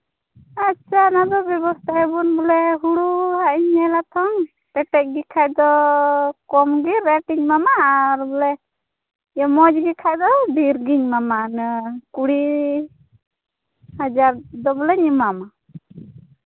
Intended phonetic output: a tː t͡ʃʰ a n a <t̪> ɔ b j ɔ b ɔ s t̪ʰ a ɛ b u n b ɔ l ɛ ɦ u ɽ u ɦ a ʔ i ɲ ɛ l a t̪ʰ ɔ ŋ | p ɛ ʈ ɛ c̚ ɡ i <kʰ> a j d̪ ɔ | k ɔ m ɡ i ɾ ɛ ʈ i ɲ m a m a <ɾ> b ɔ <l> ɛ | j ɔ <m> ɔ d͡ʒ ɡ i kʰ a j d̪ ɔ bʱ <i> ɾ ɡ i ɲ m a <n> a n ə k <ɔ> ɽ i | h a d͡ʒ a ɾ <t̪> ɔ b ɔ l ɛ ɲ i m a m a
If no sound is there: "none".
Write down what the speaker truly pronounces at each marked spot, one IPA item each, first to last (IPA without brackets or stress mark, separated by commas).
d̪, kʰ, ɾ, l, m, i, m, u, d̪